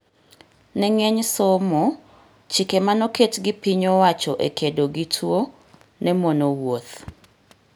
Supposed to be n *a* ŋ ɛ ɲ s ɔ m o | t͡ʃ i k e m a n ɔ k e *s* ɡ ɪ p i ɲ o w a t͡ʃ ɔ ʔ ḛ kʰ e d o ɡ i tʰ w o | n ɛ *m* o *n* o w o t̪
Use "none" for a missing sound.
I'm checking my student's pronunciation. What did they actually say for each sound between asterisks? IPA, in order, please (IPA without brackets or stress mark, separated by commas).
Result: ɛ, t, m, n